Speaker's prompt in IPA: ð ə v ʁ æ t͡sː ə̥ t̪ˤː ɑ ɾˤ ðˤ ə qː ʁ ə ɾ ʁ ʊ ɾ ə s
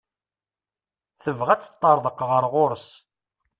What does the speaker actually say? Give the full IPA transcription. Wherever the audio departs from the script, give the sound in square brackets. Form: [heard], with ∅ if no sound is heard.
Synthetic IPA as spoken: [θ] ə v ʁ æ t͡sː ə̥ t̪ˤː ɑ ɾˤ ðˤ ə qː ʁ ə ɾ ʁ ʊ ɾ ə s